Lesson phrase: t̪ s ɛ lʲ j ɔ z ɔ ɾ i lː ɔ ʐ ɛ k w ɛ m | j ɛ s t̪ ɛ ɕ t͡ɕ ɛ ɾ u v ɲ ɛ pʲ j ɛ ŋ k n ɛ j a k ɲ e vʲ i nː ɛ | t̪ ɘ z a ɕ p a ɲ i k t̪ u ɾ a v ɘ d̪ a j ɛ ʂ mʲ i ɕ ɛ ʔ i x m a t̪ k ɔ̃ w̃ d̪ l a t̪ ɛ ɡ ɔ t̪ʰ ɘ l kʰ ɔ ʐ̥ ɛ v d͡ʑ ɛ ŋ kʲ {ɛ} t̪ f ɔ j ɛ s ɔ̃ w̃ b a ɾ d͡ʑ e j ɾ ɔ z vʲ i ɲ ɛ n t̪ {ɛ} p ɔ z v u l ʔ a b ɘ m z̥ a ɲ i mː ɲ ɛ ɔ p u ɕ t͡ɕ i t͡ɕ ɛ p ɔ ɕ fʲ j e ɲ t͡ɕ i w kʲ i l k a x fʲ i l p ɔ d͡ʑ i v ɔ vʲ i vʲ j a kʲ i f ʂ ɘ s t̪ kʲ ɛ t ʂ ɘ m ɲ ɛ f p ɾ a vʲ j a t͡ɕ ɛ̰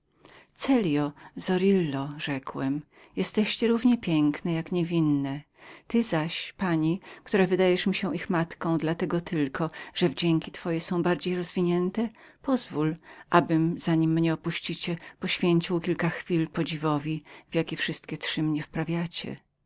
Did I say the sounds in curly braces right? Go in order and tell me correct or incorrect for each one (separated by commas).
incorrect, correct